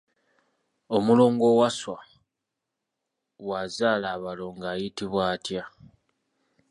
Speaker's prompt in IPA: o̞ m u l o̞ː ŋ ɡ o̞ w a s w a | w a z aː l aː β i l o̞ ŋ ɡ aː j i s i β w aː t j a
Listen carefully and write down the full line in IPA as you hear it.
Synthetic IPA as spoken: o̞ m u l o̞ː ŋ ɡ o̞ w a s w a | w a z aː l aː β a l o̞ ŋ ɡ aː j i t i β w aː t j a